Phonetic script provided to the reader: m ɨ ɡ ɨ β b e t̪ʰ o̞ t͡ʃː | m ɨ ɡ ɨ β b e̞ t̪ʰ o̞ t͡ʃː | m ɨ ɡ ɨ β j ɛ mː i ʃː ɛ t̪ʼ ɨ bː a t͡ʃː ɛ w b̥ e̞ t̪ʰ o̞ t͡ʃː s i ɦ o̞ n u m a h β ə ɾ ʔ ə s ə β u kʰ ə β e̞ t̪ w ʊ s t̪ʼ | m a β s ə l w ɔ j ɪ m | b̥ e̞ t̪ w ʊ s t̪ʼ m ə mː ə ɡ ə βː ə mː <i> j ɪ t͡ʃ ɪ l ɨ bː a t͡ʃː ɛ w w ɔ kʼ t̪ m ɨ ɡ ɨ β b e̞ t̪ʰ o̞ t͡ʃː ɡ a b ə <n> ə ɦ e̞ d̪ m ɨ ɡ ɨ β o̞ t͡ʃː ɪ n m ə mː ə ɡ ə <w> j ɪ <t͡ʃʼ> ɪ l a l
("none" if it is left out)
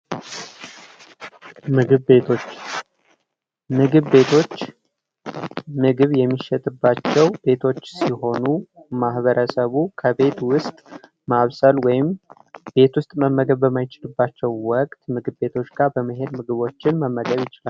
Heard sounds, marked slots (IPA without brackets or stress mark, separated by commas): a, m, β, t͡ʃ